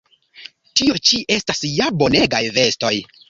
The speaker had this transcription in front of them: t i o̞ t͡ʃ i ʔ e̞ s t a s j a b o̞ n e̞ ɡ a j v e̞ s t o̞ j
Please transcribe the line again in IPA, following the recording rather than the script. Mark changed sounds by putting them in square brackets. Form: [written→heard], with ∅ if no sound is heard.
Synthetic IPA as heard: t i o̞ t͡ʃ i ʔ e̞ s t a s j a b o̞ n e̞ ɡ a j v e̞ s t o̞ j